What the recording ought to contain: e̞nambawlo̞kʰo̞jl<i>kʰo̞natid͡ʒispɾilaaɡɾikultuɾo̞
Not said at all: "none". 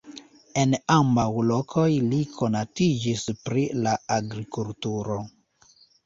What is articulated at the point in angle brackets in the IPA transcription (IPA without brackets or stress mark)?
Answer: i